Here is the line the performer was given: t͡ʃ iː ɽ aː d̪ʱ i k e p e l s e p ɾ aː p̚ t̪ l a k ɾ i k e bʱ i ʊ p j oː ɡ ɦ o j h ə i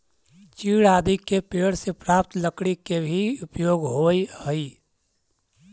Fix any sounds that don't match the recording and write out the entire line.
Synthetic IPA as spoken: t͡ʃ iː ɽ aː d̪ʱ i k e p e ɽ s e p ɾ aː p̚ t̪ l ə k ɽ i k e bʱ i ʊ p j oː ɡ ɦ o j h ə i